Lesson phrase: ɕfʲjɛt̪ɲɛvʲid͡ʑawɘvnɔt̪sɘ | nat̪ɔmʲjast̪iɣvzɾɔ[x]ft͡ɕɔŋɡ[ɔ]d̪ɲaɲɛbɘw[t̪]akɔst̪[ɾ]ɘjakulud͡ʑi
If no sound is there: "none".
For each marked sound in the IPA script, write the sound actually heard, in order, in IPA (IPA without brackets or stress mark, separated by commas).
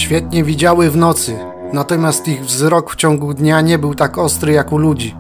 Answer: k, u, t̪, ɾ